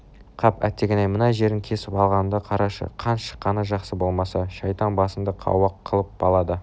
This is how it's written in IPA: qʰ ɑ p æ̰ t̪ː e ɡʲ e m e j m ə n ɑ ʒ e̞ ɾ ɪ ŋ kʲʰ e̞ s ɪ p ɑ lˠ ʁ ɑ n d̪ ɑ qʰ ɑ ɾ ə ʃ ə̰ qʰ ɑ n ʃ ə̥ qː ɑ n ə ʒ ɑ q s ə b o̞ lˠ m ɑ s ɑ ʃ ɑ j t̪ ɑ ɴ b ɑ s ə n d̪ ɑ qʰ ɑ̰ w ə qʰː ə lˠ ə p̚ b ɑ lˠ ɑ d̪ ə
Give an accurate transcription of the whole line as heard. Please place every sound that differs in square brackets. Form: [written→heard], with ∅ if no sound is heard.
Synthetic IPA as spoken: qʰ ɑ p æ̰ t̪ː e ɡʲ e [m→n] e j m ə n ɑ ʒ e̞ ɾ ɪ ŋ kʲʰ e̞ s ɪ p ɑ lˠ ʁ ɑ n d̪ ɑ qʰ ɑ ɾ [ə→ɑ] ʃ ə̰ qʰ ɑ n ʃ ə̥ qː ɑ n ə ʒ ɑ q s ə b o̞ lˠ m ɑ s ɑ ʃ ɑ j t̪ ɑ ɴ b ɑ s ə n d̪ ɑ qʰ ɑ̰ w [ə→ɑ] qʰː ə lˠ ə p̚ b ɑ lˠ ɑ d̪ ə

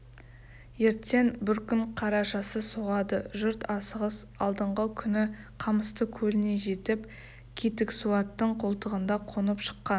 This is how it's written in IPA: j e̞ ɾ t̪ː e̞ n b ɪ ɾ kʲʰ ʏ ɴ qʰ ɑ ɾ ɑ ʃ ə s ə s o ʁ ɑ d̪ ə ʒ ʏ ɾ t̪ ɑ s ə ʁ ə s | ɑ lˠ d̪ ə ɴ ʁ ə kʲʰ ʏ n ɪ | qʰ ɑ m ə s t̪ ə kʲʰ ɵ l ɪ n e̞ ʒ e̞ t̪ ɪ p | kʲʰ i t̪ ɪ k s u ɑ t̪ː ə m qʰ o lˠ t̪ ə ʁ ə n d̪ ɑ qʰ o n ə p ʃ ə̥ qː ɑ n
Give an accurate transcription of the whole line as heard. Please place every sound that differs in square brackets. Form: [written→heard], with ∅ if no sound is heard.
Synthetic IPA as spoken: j e̞ ɾ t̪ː e̞ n b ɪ ɾ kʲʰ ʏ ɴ qʰ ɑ ɾ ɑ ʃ [ə→ɑ] s ə s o ʁ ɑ d̪ ə ʒ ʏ ɾ t̪ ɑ s ə ʁ ə s | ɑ lˠ d̪ ə ɴ ʁ ə kʲʰ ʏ n ɪ | qʰ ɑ m ə s t̪ ə kʲʰ ɵ l ɪ n e̞ ʒ e̞ t̪ ɪ p | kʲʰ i t̪ ɪ k s u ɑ t̪ː ə [m→ɴ] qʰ o lˠ t̪ ə ʁ ə n d̪ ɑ qʰ o n ə p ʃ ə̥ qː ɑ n

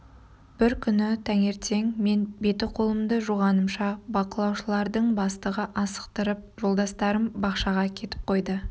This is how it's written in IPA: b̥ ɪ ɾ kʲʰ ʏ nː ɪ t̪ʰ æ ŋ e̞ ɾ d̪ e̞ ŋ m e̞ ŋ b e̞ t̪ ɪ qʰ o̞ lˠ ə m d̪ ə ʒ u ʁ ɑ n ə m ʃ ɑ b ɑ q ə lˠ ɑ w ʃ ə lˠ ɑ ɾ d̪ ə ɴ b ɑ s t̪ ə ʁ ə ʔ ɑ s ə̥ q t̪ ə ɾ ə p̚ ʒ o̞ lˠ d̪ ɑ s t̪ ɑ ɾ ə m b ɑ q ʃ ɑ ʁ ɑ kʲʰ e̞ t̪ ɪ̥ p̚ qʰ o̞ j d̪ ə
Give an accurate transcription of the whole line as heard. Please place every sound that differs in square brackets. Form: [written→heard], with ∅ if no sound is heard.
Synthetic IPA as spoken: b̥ ɪ ɾ kʲʰ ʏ [nː→n] ɪ t̪ʰ æ ŋ e̞ ɾ [d̪→t̪] e̞ ŋ m e̞ [ŋ→n] b e̞ t̪ ɪ qʰ o̞ lˠ ə m d̪ ə ʒ u ʁ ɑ n ə m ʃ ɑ b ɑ q ə lˠ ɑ w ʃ ə lˠ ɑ ɾ d̪ ə ɴ b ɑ s t̪ ə ʁ ə ʔ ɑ s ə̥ q t̪ ə ɾ ə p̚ ʒ o̞ lˠ d̪ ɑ s t̪ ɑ ɾ ə m b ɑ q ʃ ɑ ʁ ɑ kʲʰ e̞ t̪ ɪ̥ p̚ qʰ o̞ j d̪ ə

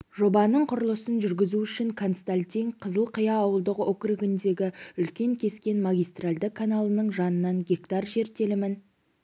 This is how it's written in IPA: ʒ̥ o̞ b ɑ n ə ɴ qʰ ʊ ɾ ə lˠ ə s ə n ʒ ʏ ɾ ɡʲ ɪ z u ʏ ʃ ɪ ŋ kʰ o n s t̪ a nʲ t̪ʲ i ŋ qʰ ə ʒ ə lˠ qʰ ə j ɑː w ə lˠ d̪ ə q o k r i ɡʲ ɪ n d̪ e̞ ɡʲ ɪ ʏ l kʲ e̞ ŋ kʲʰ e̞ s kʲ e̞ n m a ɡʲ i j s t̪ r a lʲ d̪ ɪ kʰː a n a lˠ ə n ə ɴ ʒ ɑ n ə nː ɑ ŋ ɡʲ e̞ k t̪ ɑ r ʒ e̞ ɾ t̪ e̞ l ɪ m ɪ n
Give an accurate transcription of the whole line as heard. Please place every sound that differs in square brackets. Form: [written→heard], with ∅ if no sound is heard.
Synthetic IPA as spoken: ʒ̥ o̞ b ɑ n ə ɴ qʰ ʊ ɾ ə lˠ ə s ə n ʒ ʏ ɾ ɡʲ ɪ z u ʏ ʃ ɪ ŋ kʰ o n s t̪ a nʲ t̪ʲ i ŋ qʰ ə [ʒ→z] ə lˠ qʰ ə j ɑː w ə lˠ d̪ ə q o k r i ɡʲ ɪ n d̪ e̞ ɡʲ ɪ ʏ l kʲ e̞ ŋ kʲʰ e̞ s kʲ e̞ n m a ɡʲ i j s t̪ r a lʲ d̪ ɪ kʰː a n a lˠ ə n ə ɴ ʒ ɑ n ə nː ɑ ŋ ɡʲ e̞ k t̪ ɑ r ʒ e̞ ɾ t̪ e̞ l ɪ m ɪ n

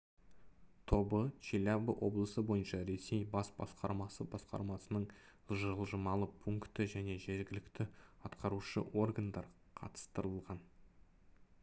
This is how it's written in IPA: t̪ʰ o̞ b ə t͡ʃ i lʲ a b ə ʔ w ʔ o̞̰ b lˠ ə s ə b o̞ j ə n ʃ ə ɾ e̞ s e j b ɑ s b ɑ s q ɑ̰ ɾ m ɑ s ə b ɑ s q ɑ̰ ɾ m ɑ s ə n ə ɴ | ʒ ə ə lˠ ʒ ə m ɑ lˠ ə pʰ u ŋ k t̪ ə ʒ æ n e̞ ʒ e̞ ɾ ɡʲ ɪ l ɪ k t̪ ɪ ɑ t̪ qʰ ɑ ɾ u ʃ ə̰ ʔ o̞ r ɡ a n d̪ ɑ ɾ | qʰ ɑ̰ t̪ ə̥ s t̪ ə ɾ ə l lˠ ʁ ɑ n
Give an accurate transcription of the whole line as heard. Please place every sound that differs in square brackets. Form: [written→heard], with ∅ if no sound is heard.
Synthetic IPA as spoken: t̪ʰ o̞ b ə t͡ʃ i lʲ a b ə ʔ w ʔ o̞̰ b lˠ ə s ə b o̞ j ə n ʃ [ə→ɑ] ɾ e̞ s e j b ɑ s b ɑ s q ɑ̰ ɾ m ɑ s ə b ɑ s q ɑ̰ ɾ m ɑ s ə n ə ɴ | ʒ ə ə lˠ ʒ ə m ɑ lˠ ə pʰ u ŋ k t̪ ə ʒ æ n e̞ ʒ e̞ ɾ ɡʲ ɪ l ɪ k t̪ ɪ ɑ t̪ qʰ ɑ ɾ u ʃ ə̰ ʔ o̞ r ɡ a n d̪ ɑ ɾ | qʰ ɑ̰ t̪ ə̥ s t̪ ə ɾ ə l lˠ ʁ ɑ n

